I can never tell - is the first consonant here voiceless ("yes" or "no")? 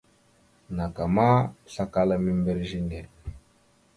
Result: no